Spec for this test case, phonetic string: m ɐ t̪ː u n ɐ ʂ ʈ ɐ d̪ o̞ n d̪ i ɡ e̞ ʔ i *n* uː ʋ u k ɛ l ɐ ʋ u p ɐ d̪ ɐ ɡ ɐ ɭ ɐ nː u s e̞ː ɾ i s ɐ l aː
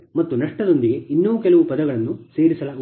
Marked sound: incorrect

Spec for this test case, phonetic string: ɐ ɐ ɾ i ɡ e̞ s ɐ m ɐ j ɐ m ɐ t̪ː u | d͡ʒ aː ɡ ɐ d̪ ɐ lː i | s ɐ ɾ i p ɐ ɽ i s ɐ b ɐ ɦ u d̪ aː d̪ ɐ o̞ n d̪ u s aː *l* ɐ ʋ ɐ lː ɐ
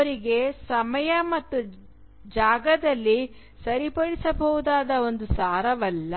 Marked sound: incorrect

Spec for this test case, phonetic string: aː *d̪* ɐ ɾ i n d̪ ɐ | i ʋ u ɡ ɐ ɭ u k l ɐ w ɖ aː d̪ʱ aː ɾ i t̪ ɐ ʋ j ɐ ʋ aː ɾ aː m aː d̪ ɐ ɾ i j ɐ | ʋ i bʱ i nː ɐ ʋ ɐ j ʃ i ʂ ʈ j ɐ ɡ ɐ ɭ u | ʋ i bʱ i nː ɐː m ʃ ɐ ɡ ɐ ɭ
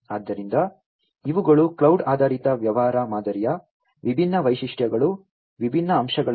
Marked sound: incorrect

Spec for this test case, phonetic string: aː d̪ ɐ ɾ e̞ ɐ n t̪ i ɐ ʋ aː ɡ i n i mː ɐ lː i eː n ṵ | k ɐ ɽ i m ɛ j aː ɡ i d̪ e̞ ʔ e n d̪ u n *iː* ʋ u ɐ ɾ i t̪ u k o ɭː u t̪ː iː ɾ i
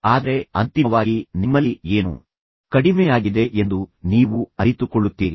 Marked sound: correct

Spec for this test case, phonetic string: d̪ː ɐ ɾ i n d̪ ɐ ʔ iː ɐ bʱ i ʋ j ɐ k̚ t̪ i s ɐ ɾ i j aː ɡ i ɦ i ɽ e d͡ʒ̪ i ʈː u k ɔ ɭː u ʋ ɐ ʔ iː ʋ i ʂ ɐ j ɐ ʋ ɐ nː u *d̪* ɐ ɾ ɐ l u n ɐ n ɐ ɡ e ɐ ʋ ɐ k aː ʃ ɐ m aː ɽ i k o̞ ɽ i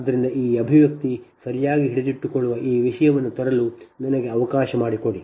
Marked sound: incorrect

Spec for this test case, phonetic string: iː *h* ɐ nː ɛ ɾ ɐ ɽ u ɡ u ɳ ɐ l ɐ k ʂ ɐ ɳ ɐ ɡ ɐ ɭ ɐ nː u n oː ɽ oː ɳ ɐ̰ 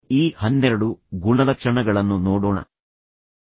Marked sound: correct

